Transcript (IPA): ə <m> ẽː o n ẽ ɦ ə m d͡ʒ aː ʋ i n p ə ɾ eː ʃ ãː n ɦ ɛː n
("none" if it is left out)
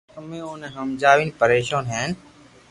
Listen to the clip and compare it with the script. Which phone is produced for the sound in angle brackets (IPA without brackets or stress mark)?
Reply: m